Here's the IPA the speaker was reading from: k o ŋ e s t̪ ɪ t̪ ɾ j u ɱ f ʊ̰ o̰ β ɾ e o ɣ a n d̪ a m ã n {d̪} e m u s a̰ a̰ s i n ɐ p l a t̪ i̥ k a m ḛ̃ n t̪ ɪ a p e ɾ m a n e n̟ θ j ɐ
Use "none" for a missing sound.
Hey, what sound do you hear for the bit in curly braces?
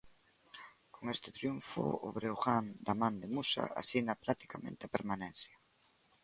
d̪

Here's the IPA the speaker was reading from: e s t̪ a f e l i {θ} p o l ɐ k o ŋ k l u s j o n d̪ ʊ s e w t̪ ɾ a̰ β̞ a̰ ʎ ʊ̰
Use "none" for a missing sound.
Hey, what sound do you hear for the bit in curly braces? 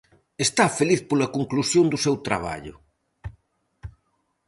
θ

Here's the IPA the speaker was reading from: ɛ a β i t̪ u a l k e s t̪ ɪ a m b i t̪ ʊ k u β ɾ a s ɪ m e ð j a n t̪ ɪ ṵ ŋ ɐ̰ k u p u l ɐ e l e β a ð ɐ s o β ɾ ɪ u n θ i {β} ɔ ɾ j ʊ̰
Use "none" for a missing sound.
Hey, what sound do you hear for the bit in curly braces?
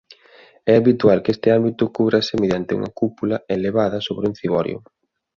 β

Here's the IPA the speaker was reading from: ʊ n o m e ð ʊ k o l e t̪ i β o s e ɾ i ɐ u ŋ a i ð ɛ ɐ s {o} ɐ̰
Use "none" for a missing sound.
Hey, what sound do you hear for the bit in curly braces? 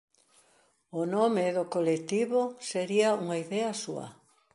u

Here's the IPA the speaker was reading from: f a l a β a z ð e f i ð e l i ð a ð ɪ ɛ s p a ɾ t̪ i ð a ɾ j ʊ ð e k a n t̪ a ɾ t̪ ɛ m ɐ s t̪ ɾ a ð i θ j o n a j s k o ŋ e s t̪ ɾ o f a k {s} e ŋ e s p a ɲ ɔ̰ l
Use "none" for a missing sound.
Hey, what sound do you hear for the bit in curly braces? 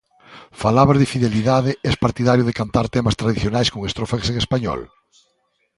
s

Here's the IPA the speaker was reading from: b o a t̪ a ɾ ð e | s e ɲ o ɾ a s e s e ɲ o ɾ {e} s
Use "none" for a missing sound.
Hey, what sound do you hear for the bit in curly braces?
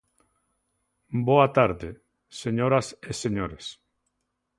e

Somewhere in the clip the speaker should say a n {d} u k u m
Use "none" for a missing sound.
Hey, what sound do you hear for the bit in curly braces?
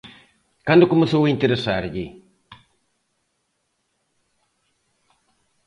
d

